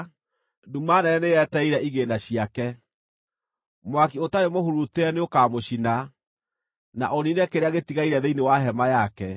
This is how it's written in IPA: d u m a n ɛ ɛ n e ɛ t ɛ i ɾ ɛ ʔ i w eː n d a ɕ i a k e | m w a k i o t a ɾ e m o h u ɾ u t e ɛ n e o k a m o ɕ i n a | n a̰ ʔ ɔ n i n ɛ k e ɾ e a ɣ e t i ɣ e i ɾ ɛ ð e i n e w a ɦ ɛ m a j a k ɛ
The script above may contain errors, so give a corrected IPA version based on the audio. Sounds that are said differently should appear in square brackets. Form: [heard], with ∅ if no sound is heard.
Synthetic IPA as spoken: d u m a n ɛ ɛ n e ɛ t ɛ i ɾ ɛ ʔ i [ɣ] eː n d a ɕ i a k [ɛ] | m w a k i o t a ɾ e m o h u ɾ u t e ɛ n e o k a m o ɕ i n a | n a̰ ʔ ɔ n i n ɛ k e ɾ e a ɣ e t i ɣ [a] i ɾ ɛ ð e i n e w a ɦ ɛ m a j a k ɛ